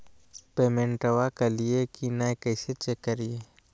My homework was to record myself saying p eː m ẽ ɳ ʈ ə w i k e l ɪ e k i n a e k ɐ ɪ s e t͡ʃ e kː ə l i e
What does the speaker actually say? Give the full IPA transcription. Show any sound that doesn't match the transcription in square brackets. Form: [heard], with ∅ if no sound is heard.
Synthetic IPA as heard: p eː m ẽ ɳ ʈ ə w [a] k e l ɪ e k i n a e k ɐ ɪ s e t͡ʃ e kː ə [ɾ] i e